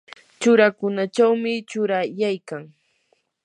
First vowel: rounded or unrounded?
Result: rounded